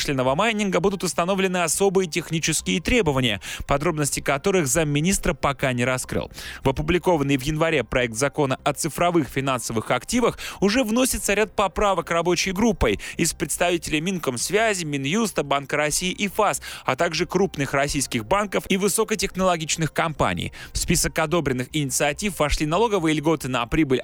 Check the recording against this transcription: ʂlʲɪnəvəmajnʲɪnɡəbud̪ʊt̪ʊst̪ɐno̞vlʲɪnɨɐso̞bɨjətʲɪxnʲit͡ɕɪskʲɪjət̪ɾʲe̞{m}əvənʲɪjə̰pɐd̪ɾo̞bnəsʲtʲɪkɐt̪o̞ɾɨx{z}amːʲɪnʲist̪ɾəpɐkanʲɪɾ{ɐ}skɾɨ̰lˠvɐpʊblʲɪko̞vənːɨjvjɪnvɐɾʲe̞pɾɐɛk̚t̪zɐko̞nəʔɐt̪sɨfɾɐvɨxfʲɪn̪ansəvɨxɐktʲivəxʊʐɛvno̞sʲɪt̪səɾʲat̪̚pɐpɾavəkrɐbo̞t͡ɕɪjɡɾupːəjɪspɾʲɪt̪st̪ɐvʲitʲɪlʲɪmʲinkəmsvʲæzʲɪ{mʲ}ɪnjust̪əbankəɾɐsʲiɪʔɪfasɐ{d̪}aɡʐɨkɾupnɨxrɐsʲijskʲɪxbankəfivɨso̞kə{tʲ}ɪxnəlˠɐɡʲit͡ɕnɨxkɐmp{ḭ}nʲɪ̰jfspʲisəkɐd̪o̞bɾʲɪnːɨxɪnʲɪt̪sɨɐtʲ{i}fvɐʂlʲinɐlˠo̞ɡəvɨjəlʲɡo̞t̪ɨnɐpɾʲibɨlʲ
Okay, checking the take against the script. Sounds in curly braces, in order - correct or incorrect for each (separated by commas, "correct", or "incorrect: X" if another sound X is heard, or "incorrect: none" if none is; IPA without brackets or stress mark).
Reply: incorrect: b, correct, correct, correct, incorrect: t̪, correct, incorrect: a̰, correct